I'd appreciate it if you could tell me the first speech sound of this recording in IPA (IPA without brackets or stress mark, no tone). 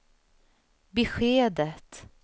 b